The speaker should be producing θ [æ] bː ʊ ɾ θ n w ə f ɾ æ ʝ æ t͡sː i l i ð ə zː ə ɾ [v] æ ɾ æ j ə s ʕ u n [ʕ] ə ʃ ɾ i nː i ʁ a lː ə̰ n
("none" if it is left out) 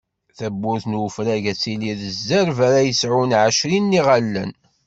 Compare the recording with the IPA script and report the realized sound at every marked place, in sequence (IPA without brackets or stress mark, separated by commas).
æ, v, ʕ